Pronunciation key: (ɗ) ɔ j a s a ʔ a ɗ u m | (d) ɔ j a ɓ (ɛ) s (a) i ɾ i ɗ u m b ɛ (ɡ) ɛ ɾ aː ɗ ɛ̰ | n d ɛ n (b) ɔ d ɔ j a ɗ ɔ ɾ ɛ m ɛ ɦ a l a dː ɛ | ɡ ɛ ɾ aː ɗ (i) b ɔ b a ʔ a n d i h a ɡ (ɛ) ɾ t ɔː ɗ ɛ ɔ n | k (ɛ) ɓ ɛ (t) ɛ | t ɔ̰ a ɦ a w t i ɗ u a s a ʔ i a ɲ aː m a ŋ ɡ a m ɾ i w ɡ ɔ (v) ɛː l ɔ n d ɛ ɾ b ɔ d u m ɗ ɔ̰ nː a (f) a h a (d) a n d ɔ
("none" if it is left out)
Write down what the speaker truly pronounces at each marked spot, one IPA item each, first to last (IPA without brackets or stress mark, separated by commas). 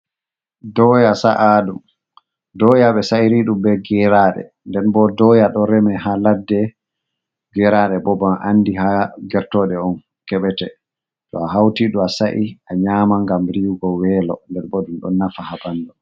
d, d, ɛ, a, ɡ, b, ɛ, ɛ, ɛ, t, w, f, b